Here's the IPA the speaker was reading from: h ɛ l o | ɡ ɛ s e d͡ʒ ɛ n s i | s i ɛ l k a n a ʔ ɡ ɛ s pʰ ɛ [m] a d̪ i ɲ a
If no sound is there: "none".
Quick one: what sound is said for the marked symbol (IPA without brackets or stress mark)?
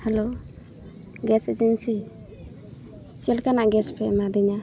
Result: m